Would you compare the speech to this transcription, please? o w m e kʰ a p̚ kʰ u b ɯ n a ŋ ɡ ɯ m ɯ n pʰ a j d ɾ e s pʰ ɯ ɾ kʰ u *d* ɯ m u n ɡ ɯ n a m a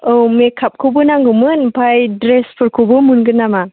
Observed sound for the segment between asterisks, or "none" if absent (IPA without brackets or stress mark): b